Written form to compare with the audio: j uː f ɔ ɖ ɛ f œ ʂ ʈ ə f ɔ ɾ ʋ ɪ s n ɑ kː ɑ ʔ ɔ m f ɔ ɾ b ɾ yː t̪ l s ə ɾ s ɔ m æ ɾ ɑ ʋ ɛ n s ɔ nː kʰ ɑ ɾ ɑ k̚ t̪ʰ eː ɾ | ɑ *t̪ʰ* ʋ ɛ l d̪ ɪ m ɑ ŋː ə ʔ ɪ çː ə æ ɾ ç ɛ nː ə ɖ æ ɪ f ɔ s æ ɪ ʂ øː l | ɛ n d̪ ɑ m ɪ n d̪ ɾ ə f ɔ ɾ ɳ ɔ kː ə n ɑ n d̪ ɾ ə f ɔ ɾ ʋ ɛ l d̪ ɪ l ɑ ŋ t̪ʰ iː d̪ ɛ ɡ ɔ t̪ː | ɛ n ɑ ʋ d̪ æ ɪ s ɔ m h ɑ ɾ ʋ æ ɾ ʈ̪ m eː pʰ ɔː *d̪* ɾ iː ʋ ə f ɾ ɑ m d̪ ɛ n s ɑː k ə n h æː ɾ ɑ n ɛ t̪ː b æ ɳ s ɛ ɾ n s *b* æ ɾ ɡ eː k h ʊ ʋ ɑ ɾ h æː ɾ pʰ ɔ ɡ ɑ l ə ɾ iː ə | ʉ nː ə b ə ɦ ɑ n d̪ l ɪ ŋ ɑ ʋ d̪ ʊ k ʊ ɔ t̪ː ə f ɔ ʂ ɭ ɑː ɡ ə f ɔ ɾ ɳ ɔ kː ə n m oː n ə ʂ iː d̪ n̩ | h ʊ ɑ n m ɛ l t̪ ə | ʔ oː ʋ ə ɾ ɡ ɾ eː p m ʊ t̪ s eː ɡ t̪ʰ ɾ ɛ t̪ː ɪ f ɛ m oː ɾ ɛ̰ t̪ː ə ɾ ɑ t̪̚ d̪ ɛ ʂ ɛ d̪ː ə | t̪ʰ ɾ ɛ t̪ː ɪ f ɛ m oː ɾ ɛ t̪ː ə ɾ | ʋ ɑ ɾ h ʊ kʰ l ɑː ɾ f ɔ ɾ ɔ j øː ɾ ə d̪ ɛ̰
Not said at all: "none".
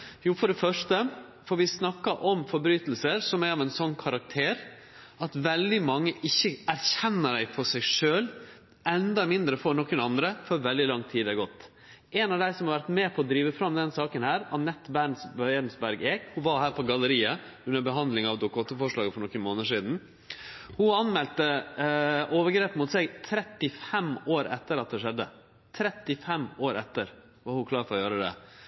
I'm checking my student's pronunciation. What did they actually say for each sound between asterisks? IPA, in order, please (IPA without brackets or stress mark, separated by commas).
t̪, d̪, b